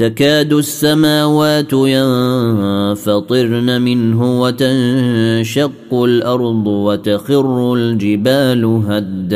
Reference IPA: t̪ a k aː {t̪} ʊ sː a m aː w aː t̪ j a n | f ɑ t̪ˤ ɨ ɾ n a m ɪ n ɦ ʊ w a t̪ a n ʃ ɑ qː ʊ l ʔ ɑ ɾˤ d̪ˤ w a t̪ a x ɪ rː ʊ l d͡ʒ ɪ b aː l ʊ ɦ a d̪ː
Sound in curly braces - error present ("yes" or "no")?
yes